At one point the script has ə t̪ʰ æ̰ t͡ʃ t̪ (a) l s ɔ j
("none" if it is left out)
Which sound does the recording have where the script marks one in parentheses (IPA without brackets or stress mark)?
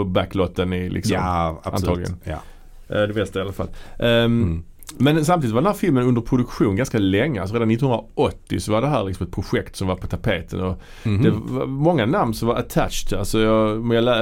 a